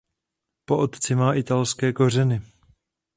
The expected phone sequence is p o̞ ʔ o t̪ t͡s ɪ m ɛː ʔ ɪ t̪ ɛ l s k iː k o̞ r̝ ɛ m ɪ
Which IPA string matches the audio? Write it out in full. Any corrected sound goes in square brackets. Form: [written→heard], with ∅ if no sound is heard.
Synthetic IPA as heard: p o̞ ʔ o t̪ t͡s ɪ m [ɛː→aː] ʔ ɪ t̪ [ɛ→a] l s k [iː→ɛː] k o̞ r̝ ɛ [m→n] ɪ

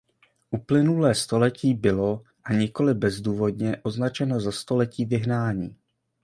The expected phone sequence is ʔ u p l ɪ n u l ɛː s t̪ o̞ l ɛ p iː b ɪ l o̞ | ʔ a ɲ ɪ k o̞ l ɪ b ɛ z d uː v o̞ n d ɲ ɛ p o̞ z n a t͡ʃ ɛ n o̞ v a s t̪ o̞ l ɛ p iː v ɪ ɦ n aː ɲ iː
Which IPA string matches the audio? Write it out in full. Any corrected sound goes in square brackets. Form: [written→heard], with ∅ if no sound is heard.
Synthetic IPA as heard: ʔ u p l ɪ n u l ɛː s t̪ o̞ l ɛ [p→c] iː b ɪ l o̞ | ʔ a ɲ ɪ k o̞ l ɪ b ɛ z d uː v o̞ [n→∅] d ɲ ɛ [p→ʔ] o̞ z n a t͡ʃ ɛ n o̞ [v→z] a s t̪ o̞ l ɛ [p→c] iː v ɪ ɦ n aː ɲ iː

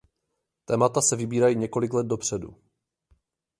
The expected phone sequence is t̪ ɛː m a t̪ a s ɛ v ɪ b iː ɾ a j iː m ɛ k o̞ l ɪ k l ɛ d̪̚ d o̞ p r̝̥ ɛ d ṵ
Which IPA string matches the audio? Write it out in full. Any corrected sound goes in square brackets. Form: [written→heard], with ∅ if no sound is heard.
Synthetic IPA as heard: t̪ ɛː m a t̪ a s ɛ v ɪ b iː ɾ a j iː [m→ɲ] ɛ k o̞ l ɪ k l ɛ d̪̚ d o̞ p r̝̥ ɛ d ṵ

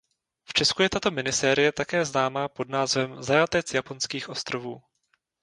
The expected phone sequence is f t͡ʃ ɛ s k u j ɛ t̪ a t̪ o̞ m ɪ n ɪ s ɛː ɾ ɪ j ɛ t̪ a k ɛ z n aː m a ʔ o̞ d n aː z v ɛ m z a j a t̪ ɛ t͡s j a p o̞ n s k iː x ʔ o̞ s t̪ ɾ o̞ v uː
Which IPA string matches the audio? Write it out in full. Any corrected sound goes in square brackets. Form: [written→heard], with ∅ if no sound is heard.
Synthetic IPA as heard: f t͡ʃ ɛ s k u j ɛ t̪ a t̪ o̞ m ɪ n ɪ s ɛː ɾ ɪ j ɛ t̪ a k [ɛ→ɛː] z n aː m a [ʔ→p] o̞ d n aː z v ɛ m z a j a t̪ ɛ t͡s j a p o̞ n s k iː x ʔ o̞ s t̪ ɾ o̞ v uː

